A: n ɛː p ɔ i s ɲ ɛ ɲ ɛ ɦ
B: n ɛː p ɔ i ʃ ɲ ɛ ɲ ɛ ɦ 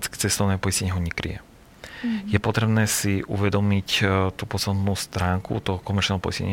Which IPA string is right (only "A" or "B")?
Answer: A